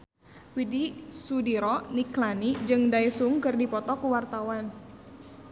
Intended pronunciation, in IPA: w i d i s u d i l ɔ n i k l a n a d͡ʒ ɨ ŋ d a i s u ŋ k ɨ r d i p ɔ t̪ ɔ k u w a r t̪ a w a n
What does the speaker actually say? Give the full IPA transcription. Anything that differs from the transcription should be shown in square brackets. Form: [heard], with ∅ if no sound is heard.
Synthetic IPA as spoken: w i d i s u d i [ɾ] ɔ n i k l a n [i] d͡ʒ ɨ ŋ d a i s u ŋ k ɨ r d i p ɔ t̪ ɔ k u w a r t̪ a w a n